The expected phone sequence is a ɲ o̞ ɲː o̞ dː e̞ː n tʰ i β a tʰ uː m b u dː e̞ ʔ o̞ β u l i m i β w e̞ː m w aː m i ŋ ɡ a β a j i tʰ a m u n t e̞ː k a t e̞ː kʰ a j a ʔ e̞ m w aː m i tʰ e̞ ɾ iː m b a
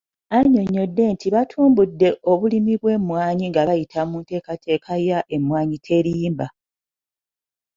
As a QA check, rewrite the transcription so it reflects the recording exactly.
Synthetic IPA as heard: a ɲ o̞ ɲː o̞ dː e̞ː n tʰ i β a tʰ uː m b u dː e̞ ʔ o̞ β u l i m i β w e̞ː m w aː ɲ i ŋ ɡ a β a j i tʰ a m u n t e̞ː k a t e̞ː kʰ a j a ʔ e̞ m w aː ɲ i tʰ e̞ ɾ iː m b a